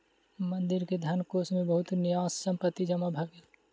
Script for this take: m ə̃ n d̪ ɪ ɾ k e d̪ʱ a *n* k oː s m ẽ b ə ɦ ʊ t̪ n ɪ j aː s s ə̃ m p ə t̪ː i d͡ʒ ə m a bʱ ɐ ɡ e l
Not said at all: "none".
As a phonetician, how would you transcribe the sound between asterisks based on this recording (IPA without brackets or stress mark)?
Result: n